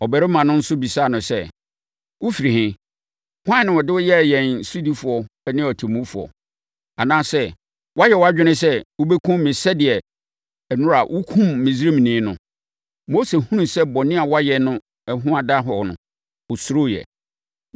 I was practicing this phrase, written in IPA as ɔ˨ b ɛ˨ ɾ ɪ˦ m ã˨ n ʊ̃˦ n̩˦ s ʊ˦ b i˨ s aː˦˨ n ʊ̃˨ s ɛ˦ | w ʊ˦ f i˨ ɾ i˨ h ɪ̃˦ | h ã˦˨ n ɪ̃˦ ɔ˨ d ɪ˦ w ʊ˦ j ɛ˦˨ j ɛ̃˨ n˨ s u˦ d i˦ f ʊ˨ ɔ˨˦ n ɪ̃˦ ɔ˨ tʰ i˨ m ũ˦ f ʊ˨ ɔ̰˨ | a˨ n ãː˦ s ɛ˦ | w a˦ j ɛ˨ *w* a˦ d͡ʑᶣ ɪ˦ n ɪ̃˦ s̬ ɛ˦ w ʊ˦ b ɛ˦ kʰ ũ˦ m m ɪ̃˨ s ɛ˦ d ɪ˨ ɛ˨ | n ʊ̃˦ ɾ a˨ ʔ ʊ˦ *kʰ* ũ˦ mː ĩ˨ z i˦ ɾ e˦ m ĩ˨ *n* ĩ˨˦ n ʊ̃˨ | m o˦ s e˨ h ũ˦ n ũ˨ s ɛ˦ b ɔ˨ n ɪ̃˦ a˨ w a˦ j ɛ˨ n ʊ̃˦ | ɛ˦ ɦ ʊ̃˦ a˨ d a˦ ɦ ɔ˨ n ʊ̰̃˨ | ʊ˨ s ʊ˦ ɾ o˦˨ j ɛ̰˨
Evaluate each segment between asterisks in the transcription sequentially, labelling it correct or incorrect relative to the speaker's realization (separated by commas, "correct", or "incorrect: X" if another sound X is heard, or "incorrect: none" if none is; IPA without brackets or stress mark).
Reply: correct, correct, correct